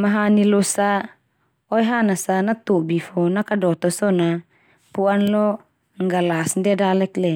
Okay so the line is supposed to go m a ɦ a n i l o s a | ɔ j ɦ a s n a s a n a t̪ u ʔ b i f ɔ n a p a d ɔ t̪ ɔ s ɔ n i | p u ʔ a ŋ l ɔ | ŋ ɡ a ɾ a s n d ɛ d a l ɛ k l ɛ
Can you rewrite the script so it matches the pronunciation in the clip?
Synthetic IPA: m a ɦ a n i l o s a | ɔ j ɦ a n a s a n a t̪ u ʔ b i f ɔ n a k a d ɔ t̪ ɔ s ɔ n a | p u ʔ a n l ɔ | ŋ ɡ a l a s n d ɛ d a l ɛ k l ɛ